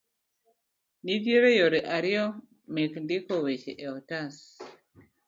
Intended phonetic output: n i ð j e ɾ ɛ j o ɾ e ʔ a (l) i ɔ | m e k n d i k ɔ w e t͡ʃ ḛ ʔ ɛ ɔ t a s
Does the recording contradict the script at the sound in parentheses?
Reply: yes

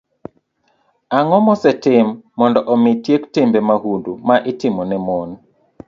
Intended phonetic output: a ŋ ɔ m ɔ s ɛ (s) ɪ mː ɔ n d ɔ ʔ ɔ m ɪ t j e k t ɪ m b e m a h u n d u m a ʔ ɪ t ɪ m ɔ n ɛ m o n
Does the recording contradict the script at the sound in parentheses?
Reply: yes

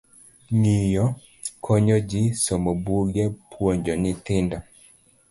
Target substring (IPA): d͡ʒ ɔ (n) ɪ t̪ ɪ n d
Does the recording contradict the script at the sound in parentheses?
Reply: no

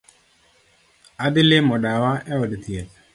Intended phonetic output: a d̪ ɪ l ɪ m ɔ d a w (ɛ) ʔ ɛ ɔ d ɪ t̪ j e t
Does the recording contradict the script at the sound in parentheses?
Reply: yes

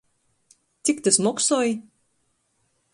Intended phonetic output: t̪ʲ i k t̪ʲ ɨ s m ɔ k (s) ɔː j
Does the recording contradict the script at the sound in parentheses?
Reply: no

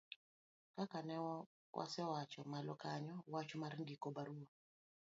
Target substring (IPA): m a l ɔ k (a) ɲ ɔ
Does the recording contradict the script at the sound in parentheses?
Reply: no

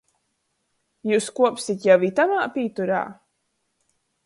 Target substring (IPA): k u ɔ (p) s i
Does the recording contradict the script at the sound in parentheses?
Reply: no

